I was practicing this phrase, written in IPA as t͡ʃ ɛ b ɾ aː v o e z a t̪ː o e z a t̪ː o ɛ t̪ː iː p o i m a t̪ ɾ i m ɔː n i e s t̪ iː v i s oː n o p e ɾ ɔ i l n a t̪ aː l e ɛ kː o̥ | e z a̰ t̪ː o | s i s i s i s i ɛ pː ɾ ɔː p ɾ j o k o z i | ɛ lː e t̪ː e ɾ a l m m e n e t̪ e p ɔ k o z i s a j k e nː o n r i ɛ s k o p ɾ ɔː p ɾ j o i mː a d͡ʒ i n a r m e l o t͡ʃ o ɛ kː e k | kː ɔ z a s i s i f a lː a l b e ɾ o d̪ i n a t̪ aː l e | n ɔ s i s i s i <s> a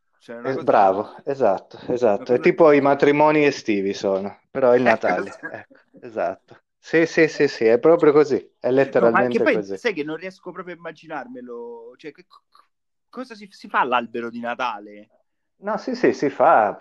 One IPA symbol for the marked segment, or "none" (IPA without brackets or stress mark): f